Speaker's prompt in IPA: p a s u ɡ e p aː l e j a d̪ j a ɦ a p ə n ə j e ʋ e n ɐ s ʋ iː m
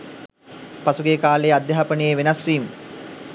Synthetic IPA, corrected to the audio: p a s u ɡ e k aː l e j a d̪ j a ɦ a p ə n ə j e ʋ e n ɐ s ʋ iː m